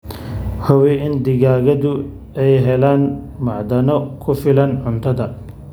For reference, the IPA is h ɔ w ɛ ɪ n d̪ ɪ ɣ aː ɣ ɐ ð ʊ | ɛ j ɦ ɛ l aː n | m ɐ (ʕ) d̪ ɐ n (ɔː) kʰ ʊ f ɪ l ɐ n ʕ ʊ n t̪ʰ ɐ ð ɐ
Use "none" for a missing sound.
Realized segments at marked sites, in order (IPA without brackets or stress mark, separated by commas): ʕ, ɔ